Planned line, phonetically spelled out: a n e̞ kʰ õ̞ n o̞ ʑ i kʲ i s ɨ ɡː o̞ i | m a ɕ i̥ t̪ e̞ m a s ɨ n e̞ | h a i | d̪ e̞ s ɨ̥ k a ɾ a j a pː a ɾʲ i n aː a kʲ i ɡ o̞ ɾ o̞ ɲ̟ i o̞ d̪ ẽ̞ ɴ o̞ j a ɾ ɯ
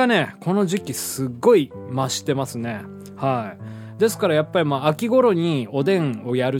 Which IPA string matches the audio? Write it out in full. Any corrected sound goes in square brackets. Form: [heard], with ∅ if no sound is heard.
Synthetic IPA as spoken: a n e̞ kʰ [o̞] n o̞ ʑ i kʲ i s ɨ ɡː o̞ i | m a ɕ i̥ t̪ e̞ m a s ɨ n e̞ | h a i | d̪ e̞ s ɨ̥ k a ɾ a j a pː a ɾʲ i [m] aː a kʲ i ɡ o̞ ɾ o̞ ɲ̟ i o̞ d̪ ẽ̞ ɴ o̞ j a ɾ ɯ